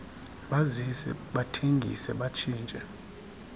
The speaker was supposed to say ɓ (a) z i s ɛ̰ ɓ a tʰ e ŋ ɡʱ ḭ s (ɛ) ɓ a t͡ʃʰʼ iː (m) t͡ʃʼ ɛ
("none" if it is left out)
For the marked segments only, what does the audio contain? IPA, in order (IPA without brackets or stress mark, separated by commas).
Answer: a, ɛ, n